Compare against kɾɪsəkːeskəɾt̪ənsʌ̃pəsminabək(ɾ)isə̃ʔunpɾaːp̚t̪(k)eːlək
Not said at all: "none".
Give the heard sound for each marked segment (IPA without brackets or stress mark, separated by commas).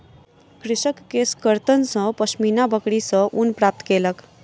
ɽ, k